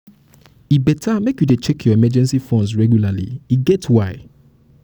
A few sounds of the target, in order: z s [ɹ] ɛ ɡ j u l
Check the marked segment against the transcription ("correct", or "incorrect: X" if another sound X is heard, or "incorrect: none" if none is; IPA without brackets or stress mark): correct